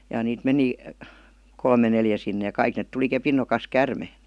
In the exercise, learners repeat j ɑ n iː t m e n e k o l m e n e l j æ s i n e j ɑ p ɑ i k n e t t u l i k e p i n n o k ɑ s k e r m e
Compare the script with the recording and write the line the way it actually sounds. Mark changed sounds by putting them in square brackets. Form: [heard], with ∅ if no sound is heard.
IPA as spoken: j ɑ n iː t m e n [i] k o l m e n e l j æ s i [nː] e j ɑ [k] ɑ i k n e t t u l i k e p i n n o k ɑ s k [æ] r m e